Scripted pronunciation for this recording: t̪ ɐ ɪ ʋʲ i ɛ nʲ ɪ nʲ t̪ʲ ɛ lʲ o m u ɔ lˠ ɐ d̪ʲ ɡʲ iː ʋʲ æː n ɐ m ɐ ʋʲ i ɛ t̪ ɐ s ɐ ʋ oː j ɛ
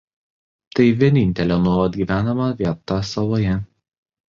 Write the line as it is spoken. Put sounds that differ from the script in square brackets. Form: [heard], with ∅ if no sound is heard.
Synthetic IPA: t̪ ɐ ɪ ʋʲ i ɛ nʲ ɪ nʲ t̪ʲ ɛ lʲ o [n] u ɔ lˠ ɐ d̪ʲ ɡʲ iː ʋʲ æː n ɐ m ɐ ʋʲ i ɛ t̪ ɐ s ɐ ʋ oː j ɛ